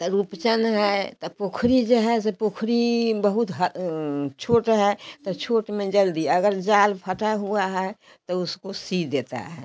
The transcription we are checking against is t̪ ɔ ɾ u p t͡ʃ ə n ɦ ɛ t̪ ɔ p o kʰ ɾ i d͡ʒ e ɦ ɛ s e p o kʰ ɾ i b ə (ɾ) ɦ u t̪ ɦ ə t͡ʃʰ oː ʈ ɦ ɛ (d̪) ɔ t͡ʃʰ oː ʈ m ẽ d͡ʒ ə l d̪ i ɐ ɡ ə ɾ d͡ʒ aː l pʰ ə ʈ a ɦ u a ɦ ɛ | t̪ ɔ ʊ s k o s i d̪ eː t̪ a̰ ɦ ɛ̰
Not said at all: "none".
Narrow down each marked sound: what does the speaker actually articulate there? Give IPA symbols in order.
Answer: none, t̪

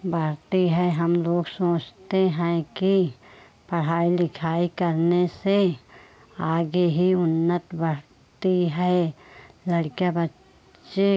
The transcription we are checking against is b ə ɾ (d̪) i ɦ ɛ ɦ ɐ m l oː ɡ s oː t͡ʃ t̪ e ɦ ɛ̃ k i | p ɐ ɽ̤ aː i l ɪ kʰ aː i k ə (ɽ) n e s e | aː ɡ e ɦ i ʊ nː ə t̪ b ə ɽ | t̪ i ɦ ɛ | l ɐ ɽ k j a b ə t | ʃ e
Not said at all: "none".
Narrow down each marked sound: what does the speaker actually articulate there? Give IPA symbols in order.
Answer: t̪, ɾ

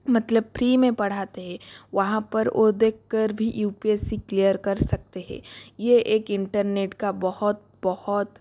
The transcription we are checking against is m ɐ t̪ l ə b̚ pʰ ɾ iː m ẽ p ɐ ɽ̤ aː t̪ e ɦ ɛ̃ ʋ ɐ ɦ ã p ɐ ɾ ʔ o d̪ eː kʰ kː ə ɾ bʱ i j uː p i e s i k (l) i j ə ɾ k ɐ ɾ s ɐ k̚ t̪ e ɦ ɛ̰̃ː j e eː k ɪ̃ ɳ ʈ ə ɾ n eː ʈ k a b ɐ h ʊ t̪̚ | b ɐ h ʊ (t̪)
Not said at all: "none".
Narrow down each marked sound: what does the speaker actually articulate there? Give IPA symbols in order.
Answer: l, t̪

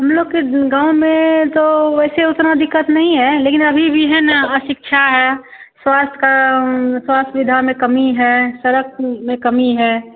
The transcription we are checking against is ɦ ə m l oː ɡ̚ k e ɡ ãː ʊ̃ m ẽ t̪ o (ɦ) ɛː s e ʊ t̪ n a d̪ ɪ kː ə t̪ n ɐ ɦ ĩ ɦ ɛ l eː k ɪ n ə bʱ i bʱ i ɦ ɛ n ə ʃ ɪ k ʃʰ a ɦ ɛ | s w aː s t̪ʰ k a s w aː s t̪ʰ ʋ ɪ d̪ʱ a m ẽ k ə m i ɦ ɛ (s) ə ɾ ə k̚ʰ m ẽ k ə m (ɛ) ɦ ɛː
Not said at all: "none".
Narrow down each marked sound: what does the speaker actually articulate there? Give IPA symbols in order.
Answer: none, s, i

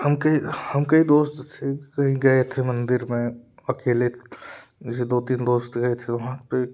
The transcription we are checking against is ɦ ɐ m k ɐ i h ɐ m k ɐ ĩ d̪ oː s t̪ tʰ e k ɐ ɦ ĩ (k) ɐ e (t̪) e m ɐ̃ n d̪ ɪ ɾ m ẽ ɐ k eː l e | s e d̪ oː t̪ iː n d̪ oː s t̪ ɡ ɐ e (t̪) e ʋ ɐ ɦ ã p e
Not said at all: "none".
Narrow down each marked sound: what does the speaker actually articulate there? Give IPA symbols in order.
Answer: ɡ, t̪ʰ, t̪ʰ

